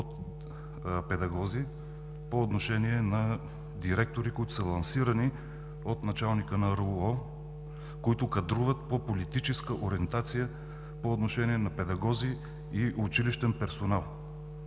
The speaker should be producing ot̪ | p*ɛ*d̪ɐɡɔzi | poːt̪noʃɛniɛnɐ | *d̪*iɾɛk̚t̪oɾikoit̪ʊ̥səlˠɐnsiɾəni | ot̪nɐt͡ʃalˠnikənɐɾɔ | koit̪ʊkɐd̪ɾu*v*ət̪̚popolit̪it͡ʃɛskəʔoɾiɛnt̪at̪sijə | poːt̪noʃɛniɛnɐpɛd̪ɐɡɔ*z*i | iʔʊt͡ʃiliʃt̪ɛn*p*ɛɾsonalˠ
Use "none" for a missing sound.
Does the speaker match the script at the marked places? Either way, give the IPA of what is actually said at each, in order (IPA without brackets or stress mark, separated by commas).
ɛ, d̪, v, z, p